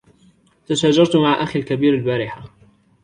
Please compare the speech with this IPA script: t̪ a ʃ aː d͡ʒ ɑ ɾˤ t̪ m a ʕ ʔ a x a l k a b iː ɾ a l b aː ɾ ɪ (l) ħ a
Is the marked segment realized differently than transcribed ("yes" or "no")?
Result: yes